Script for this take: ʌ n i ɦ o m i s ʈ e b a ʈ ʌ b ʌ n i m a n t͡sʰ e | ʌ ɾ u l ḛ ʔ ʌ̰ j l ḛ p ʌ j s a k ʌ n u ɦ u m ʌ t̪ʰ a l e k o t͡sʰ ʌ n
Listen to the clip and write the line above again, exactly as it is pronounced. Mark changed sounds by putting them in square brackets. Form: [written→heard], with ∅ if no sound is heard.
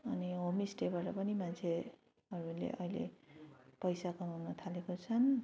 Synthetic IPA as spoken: ʌ n i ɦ o m i s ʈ e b a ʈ ʌ [b→p] ʌ n i m a n t͡sʰ e | ʌ ɾ u l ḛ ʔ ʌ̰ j l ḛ p ʌ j s a k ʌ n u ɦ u [m→n] ʌ t̪ʰ a l e k o t͡sʰ ʌ n